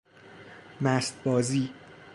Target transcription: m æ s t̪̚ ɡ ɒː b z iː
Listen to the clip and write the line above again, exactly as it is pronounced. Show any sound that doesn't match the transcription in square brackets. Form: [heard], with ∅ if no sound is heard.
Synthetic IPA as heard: m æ s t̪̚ [b] ɒː [∅] z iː